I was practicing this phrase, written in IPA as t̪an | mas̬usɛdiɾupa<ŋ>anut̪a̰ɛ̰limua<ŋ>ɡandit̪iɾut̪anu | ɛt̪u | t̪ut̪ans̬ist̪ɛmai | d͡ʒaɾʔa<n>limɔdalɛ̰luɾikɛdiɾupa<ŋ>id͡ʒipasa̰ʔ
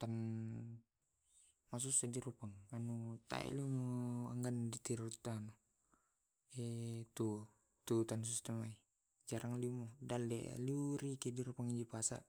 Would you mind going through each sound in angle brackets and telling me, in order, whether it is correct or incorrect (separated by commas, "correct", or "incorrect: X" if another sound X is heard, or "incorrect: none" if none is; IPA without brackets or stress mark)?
correct, correct, incorrect: ŋ, correct